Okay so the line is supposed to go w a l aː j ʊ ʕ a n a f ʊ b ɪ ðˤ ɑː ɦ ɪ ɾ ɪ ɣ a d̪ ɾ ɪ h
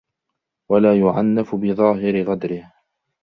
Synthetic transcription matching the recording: w a l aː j ʊ ʕ a nː a f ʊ b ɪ ðˤ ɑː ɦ ɪ ɾ ɪ ɣ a d̪ ɾ ɪ h